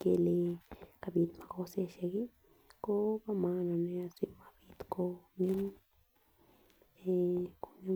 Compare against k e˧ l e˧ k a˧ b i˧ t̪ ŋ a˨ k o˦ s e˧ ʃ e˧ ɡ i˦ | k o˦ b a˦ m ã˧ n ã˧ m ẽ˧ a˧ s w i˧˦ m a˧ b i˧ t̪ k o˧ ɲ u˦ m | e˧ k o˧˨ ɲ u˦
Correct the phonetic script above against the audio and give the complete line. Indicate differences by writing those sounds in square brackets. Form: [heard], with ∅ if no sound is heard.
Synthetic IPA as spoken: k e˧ l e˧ k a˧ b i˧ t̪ [m] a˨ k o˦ s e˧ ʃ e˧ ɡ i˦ | k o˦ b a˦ m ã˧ n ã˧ [n] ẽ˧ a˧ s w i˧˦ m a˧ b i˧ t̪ k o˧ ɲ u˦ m | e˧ k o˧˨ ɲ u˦